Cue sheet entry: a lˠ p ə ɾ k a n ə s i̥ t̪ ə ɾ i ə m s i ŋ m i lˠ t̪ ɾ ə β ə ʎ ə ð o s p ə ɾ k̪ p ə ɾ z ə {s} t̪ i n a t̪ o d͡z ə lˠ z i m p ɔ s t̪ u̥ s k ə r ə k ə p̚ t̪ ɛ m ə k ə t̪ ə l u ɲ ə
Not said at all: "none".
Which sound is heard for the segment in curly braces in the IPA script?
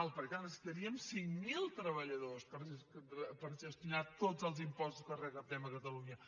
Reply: s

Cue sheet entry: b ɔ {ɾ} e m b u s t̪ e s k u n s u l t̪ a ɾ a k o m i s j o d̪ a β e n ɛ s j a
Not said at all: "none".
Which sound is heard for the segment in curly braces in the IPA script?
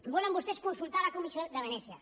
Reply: l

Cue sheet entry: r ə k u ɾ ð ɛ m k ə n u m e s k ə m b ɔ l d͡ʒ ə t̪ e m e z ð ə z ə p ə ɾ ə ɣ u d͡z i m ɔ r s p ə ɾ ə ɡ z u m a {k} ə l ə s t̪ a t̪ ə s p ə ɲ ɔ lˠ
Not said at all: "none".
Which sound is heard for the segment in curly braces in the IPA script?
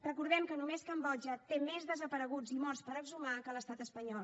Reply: k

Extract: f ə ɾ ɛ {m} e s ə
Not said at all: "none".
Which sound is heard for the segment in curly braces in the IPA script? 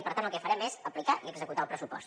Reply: m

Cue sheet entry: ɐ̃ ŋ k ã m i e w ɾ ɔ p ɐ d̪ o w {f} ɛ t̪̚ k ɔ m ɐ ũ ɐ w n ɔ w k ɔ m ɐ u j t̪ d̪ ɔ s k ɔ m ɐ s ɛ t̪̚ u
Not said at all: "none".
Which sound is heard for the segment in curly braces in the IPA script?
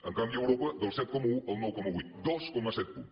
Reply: s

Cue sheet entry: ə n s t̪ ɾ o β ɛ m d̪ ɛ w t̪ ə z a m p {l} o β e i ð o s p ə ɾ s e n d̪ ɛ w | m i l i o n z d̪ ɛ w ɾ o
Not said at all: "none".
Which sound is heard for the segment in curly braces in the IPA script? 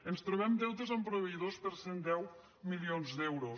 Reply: ɾ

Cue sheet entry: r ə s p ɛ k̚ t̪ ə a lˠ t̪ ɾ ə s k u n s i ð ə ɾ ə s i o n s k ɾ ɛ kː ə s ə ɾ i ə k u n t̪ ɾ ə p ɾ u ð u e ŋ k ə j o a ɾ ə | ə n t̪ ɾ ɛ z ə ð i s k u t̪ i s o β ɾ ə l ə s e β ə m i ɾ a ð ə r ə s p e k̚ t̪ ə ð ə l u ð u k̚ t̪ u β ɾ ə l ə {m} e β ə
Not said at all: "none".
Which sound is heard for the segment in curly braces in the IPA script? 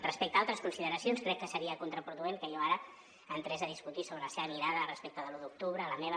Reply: m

